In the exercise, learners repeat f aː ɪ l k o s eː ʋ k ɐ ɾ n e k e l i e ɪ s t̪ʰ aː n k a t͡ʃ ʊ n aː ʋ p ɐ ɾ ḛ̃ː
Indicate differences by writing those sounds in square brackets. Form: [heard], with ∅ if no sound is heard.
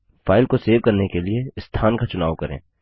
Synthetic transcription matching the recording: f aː ɪ l k o s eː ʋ k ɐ ɾ n e k e l i e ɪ s t̪ʰ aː n k a t͡ʃ ʊ n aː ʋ [k] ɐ ɾ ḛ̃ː